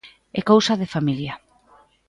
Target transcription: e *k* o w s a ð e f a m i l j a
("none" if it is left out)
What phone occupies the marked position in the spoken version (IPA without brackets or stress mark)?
k